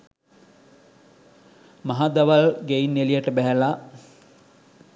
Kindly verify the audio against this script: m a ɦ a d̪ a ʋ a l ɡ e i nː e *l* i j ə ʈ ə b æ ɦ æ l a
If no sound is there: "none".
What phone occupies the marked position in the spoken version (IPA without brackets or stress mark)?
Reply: l